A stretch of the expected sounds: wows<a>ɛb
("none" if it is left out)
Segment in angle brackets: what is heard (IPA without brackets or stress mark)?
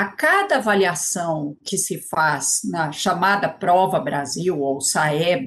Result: a